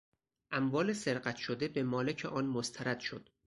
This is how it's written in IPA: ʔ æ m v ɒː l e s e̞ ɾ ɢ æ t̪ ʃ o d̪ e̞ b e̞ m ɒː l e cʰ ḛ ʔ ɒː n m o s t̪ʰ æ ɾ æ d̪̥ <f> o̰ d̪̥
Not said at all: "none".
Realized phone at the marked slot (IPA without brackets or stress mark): ʃ